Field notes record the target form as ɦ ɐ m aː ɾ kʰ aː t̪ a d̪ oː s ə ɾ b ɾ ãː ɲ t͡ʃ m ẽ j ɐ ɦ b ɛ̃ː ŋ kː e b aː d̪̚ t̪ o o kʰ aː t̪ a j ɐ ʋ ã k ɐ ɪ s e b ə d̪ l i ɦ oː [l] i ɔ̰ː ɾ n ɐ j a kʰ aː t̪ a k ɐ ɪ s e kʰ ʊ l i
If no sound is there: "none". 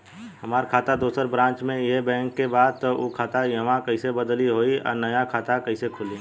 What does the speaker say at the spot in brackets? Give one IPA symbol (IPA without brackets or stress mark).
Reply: none